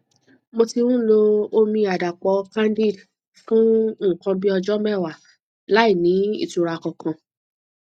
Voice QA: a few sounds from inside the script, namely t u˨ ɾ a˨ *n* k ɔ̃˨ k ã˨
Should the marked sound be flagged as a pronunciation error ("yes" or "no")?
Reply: yes